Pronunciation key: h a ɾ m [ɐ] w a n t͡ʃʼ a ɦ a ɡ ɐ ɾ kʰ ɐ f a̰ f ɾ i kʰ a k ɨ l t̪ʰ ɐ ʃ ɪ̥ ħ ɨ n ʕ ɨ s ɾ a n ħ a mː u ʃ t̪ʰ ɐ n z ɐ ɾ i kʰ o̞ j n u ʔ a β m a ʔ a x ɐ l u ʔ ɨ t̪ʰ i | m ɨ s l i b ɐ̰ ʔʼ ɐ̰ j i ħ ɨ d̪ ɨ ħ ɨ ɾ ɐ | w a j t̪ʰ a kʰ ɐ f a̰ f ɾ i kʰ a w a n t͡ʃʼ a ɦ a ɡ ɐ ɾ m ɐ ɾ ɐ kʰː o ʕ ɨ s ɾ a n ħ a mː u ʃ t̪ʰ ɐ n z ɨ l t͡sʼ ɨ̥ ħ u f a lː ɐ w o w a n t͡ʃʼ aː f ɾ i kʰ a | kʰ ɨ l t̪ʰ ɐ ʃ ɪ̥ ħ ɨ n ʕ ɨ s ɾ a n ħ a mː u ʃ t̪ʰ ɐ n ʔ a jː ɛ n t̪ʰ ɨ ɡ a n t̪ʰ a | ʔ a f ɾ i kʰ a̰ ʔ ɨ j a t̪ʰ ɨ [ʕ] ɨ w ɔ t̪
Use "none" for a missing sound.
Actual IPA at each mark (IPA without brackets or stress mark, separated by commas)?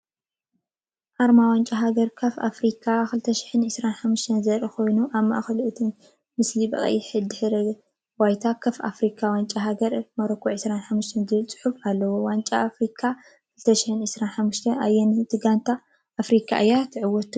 a, ʕ